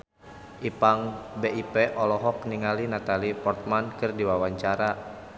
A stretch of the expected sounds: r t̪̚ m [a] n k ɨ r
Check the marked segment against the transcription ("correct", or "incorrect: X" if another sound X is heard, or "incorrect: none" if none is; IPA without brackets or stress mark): correct